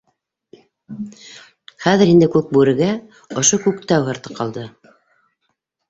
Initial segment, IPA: χ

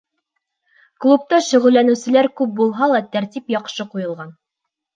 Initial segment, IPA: k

